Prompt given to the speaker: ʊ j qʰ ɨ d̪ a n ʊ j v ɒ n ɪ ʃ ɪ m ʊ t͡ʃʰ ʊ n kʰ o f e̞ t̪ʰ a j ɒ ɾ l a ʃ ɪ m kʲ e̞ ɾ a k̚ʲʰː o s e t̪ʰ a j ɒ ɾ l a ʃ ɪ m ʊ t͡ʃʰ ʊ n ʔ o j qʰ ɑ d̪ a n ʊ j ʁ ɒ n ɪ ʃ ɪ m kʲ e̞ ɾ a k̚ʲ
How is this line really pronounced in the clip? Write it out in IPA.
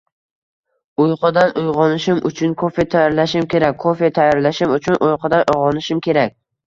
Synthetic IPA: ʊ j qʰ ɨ d̪ a n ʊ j ʁ ɒ n ɪ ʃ ɪ m ʊ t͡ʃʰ ʊ n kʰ o f e̞ t̪ʰ a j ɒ ɾ l a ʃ ɪ m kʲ e̞ ɾ a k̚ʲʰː o f e t̪ʰ a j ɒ ɾ l a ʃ ɪ m ʊ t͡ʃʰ ʊ n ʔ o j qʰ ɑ d̪ a n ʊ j ʁ ɒ n ɪ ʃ ɪ m kʲ e̞ ɾ a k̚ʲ